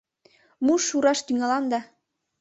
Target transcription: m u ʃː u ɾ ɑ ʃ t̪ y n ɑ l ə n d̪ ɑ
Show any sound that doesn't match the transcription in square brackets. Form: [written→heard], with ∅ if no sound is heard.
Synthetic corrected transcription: m u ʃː u ɾ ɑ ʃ t̪ y [n→ŋ] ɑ l [ə→ɑ] n d̪ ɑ

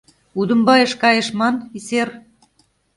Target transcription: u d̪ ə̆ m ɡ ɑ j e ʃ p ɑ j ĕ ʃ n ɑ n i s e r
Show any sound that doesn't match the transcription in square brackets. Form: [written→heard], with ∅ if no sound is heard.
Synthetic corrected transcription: u d̪ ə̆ m [ɡ→b] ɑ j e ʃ [p→k] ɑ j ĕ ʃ [n→m] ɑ n i s e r

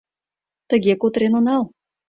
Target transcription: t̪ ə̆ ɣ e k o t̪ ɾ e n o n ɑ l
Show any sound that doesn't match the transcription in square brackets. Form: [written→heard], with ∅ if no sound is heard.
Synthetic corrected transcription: t̪ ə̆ ɣ e k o t̪ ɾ e n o n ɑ l

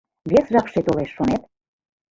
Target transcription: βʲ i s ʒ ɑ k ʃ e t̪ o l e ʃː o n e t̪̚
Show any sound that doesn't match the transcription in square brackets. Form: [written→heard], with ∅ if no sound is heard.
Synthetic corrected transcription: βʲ [i→e] s ʒ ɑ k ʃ e t̪ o l e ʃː o n e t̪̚

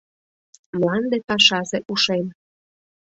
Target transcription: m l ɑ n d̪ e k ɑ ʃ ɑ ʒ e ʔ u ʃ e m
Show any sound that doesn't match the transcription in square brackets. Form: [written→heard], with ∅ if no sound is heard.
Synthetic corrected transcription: m l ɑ n d̪ e [k→p] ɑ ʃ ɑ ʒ e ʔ u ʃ e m

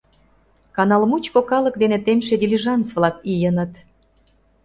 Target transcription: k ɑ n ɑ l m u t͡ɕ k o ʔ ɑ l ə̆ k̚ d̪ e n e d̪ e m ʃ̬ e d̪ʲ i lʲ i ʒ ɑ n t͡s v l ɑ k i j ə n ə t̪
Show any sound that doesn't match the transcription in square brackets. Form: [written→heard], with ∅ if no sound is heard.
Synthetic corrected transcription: k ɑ n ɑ l m u t͡ɕ k o [ʔ→k] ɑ l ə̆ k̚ d̪ e n e [d̪→t̪] e m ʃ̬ e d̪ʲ i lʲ i ʒ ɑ n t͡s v l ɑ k i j ə n ə t̪

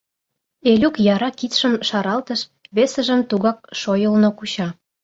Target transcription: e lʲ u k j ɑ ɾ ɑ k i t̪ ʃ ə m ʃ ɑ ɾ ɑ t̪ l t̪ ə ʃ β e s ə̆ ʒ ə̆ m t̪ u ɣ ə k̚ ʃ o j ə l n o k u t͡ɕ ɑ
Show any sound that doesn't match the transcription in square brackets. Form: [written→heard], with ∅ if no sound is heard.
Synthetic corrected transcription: e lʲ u k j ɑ ɾ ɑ k i t̪ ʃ ə m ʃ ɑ ɾ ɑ [t̪→∅] l t̪ ə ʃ β e s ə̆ ʒ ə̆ m t̪ u ɣ [ə→ɑ] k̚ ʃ o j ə l n o k u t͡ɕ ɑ

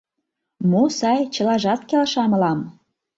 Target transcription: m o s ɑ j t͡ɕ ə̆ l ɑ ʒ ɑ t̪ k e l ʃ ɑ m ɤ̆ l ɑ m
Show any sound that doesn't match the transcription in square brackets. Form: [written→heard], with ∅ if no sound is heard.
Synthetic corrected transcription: m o s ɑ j t͡ɕ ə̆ l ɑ ʒ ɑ t̪ k e l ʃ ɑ m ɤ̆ l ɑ m

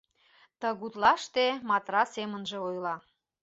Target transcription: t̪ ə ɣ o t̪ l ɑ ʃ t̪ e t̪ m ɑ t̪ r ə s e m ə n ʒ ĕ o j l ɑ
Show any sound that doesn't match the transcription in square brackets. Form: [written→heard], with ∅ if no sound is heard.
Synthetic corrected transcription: t̪ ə ɣ [o→u] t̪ l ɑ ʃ t̪ e [t̪→∅] m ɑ t̪ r [ə→ɑ] s e m ə n ʒ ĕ o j l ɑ

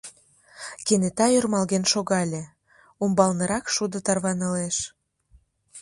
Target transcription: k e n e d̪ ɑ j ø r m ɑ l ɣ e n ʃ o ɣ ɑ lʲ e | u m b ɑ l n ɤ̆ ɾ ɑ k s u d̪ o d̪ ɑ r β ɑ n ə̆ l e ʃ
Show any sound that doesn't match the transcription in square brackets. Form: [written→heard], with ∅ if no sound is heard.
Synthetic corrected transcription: k e n e [d̪→t̪] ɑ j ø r m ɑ l ɣ e n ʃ o ɣ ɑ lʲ e | u m b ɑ l n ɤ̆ ɾ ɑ k [s→ʃ] u d̪ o [d̪→t̪] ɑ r β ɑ n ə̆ l e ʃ

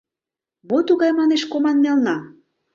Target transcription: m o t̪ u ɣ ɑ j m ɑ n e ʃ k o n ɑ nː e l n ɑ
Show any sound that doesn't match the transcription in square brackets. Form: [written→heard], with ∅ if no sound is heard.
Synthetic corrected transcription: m o t̪ u ɣ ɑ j m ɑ n e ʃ k o [n→m] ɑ nː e l n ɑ

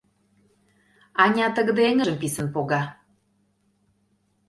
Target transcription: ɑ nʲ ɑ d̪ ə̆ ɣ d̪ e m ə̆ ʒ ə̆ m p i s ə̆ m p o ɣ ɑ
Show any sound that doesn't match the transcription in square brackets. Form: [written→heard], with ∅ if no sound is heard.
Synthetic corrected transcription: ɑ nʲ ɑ [d̪→t̪] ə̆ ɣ d̪ e [m→ŋ] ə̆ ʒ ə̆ m p i s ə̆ [m→n] p o ɣ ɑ

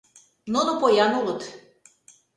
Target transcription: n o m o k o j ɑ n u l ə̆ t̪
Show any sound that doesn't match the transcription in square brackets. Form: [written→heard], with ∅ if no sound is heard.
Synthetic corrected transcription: n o [m→n] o [k→p] o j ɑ n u l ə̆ t̪

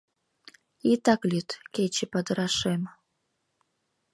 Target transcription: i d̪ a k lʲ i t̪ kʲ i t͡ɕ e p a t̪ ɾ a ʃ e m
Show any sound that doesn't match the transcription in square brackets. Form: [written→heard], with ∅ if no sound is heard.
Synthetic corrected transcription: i [d̪→t̪] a k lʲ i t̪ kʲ [i→e] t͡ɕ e p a [t̪→d̪] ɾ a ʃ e m

